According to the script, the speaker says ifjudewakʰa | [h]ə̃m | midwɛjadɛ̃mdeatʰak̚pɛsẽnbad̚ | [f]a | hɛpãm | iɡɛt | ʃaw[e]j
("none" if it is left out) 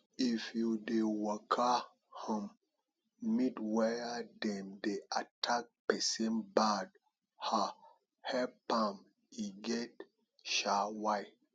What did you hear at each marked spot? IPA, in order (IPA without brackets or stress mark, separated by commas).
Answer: h, h, a